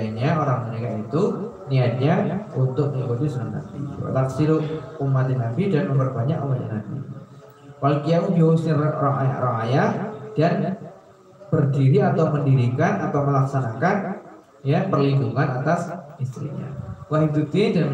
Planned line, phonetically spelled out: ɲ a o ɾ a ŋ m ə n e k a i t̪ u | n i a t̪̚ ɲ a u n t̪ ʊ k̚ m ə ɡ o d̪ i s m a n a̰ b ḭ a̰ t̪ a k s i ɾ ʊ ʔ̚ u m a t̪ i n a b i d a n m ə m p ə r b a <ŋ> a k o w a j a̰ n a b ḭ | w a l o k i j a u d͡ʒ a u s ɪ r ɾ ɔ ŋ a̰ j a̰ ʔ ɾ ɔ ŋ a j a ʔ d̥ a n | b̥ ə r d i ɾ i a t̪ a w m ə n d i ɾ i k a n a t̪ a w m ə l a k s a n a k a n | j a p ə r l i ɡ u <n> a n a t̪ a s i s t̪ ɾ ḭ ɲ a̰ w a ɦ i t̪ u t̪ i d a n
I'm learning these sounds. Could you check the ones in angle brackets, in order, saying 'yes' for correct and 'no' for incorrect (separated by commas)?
no, no